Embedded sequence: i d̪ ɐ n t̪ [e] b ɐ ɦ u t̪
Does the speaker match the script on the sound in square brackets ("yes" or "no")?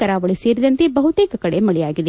yes